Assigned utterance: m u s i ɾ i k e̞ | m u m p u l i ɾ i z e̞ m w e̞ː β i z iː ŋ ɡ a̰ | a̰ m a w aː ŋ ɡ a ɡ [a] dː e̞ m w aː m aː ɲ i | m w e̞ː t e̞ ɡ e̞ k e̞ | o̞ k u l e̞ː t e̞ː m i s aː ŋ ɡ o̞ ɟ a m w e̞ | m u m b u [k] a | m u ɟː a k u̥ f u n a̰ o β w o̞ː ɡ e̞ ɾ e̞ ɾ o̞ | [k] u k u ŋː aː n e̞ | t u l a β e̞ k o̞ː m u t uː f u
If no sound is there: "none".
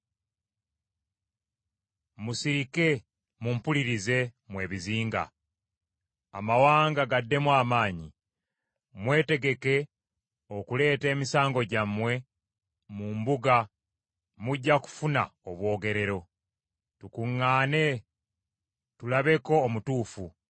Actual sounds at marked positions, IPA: a, ɡ, t

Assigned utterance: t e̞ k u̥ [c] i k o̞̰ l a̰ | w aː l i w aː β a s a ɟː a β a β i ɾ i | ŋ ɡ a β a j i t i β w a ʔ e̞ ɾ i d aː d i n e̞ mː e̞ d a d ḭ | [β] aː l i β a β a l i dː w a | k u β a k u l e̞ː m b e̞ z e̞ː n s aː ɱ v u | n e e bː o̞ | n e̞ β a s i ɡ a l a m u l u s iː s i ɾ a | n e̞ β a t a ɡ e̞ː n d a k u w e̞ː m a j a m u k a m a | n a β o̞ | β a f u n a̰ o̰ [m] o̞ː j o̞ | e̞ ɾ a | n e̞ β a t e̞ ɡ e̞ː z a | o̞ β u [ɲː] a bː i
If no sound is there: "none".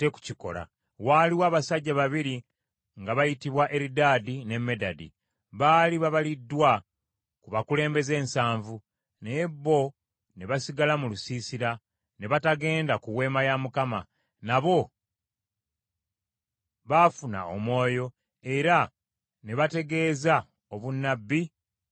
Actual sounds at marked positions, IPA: c, β, m, nː

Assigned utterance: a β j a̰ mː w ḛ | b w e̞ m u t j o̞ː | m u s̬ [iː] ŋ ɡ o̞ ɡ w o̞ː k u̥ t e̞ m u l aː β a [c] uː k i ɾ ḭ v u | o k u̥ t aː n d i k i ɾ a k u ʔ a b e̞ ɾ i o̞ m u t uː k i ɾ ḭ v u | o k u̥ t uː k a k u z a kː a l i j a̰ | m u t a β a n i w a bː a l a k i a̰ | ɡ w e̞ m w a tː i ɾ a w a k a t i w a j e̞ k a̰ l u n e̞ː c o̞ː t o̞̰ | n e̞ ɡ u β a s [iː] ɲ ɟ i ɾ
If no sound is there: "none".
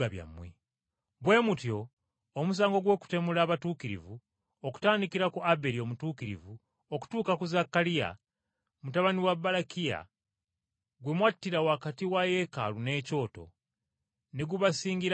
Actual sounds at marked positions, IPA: aː, t, iː

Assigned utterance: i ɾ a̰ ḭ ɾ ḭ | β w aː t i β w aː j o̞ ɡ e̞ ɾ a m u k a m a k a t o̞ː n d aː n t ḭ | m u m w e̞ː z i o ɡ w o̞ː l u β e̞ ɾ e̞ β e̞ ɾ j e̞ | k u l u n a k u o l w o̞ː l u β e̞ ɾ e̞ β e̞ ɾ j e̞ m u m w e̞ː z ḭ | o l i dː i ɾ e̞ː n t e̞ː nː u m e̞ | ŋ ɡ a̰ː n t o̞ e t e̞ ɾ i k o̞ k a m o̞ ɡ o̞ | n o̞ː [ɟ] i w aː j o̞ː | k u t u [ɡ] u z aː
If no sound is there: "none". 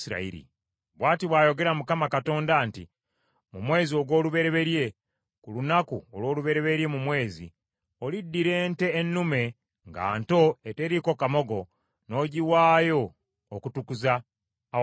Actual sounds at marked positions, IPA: ɟ, k

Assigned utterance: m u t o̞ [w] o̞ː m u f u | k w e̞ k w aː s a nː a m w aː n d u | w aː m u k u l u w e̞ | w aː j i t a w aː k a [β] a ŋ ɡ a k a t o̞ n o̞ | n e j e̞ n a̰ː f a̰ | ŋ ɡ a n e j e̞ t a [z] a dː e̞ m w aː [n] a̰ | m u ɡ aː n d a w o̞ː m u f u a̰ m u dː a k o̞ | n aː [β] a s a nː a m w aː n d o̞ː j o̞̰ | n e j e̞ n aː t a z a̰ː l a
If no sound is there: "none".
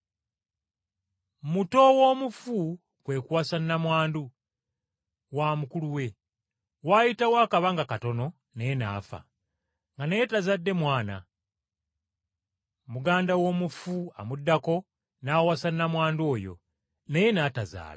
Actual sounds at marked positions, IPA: w, β, z, n, w

